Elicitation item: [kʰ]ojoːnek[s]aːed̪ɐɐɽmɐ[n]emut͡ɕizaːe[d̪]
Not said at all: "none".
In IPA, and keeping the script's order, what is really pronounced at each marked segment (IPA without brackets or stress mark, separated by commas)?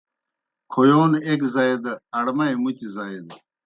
kʰ, z, none, d̪